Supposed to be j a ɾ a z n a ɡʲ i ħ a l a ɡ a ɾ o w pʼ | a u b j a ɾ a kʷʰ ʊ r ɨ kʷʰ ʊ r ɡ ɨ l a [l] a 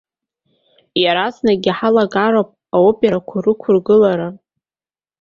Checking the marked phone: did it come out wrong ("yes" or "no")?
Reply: yes